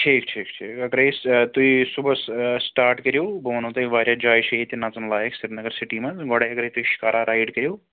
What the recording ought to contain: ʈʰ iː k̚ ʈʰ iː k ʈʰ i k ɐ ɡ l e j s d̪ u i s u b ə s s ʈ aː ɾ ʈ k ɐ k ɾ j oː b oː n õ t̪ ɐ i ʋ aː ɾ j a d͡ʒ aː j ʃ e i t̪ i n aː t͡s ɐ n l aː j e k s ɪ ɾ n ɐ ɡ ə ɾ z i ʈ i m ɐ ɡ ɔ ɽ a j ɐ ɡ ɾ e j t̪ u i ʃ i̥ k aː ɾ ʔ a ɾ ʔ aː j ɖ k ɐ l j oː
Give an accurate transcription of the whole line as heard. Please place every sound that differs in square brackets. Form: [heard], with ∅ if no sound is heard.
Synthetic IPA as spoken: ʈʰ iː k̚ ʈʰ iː k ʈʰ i k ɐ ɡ [ɾ] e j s [t̪] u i s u b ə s s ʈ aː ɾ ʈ k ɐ [∅] ɾ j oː b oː n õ t̪ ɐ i ʋ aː ɾ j a d͡ʒ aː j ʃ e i t̪ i n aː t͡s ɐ n l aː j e k s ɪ ɾ n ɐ ɡ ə ɾ [s] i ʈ i m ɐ ɡ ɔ ɽ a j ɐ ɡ ɾ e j t̪ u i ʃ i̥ k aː ɾ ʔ a ɾ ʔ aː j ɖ k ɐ [ɾ] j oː